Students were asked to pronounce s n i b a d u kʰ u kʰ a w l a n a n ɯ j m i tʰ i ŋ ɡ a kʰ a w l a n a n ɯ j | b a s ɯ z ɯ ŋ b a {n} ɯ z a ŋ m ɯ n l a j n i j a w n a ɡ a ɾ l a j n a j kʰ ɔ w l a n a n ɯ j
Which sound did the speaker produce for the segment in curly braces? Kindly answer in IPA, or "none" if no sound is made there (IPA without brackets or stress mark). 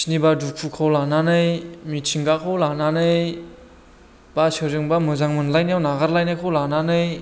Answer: m